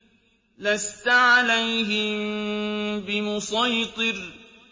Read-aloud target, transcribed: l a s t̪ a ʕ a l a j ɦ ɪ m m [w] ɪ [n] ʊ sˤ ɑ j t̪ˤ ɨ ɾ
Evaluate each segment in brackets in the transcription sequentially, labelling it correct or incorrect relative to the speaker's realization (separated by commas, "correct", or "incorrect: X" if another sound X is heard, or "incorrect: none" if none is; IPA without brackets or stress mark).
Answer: incorrect: b, incorrect: m